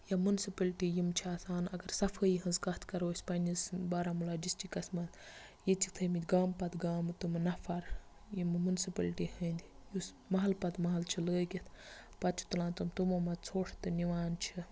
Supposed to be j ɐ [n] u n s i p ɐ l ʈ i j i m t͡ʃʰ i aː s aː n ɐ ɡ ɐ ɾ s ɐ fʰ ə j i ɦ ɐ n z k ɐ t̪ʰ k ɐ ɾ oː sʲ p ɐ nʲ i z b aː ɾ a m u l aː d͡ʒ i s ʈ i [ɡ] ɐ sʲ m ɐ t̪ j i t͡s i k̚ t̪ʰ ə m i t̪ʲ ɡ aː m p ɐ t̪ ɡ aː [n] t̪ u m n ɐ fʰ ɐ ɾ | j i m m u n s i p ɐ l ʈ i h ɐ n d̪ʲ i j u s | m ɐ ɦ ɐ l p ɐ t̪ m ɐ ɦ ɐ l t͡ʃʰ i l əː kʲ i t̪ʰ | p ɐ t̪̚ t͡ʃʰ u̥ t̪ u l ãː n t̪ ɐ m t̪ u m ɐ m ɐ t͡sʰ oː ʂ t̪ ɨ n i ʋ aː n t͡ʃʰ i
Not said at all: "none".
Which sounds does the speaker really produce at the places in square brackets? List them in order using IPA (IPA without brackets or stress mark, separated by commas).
m, k, m